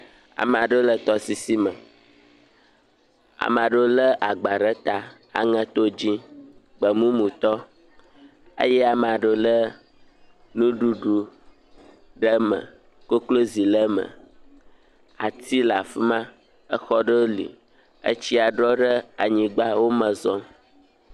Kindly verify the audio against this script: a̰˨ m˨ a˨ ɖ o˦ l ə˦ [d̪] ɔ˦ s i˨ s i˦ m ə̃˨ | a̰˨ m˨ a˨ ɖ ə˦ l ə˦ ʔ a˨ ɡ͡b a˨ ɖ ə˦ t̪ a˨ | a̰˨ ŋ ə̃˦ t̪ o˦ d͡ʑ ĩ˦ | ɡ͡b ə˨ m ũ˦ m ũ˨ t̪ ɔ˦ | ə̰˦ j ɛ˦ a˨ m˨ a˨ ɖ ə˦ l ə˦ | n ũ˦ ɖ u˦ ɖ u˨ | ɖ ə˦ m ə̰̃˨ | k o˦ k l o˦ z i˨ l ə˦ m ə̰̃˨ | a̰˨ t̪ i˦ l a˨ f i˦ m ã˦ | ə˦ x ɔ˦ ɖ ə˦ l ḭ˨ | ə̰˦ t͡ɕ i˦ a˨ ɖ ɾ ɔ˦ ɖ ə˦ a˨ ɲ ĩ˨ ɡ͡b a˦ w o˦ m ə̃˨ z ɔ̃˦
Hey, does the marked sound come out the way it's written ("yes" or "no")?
no